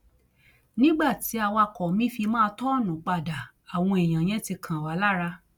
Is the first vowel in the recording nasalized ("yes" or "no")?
yes